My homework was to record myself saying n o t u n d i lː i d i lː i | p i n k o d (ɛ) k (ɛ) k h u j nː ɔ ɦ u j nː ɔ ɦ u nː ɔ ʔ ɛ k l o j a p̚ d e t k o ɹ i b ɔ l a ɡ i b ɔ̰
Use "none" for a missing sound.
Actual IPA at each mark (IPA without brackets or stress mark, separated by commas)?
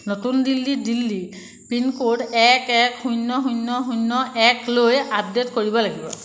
ɛ, ɛ